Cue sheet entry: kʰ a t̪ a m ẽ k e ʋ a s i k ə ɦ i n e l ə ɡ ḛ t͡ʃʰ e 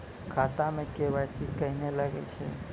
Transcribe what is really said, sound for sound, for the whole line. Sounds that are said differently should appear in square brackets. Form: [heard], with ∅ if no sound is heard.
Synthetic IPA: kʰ a t̪ a m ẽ k e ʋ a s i k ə ɦ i n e l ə ɡ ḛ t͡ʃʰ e